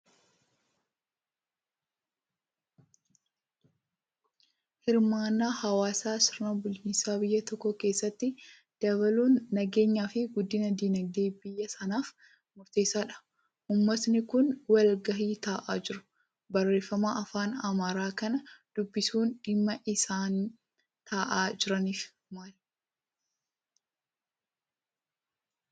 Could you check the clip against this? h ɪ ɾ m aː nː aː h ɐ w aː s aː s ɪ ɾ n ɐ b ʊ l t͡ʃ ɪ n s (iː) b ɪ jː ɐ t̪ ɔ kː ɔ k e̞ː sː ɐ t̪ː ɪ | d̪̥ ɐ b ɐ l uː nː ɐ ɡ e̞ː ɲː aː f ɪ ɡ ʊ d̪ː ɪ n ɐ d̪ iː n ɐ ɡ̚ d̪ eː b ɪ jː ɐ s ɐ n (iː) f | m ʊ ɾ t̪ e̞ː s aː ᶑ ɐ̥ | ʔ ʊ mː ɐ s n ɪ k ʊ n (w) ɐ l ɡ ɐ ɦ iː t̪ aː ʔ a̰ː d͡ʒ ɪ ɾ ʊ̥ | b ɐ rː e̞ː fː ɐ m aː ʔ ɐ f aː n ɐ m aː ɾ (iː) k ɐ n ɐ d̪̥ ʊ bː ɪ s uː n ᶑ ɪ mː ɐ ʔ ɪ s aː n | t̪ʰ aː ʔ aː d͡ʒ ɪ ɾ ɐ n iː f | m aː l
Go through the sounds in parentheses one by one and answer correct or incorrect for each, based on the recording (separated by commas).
incorrect, incorrect, correct, incorrect